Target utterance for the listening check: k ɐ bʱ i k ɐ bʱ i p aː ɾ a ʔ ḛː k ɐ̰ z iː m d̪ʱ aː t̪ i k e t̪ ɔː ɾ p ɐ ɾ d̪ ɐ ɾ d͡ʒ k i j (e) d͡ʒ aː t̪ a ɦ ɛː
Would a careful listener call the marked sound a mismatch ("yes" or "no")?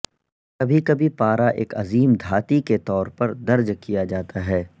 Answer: yes